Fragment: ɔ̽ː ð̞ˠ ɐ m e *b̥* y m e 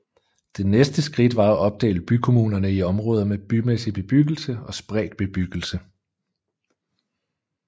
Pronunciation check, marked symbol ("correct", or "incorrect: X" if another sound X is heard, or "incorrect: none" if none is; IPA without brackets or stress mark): correct